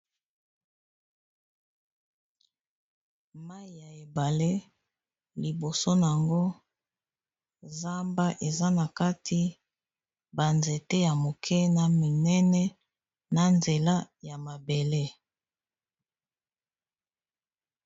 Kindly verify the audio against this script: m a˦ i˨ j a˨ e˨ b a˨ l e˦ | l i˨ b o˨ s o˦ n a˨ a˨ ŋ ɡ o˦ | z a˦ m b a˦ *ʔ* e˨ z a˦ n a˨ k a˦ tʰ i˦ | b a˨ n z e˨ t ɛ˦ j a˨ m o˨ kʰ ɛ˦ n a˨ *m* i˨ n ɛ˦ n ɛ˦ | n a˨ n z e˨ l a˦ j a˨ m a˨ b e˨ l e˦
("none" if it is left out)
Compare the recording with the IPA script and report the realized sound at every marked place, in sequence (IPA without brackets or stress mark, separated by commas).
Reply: ʔ, m